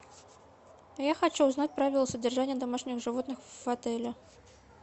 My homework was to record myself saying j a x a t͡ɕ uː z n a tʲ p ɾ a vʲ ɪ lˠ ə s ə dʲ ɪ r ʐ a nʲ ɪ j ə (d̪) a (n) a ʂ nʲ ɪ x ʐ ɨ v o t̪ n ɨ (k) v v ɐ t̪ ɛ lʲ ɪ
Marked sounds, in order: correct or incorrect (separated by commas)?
correct, incorrect, incorrect